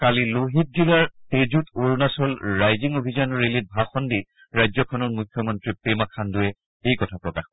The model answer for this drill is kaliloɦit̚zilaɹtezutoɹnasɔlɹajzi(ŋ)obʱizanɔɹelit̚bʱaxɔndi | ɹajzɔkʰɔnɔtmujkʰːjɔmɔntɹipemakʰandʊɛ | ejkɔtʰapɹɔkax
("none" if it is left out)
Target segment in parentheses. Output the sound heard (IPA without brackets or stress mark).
ŋ